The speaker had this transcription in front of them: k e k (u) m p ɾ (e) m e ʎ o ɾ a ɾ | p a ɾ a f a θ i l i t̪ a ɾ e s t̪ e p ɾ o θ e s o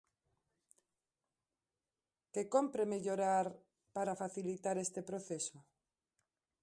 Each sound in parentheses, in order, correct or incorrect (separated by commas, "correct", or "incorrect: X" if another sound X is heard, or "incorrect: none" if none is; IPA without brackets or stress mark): incorrect: o, correct